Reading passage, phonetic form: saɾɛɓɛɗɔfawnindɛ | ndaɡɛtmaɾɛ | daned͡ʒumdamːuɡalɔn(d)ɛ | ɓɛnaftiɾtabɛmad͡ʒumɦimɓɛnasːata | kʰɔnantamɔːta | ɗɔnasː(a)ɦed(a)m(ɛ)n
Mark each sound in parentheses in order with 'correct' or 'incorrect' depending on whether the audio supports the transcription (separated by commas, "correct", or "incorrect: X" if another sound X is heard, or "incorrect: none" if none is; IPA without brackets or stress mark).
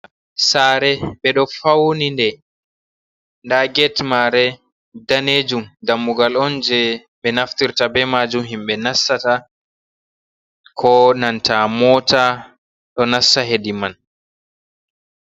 incorrect: d͡ʒ, correct, incorrect: i, incorrect: a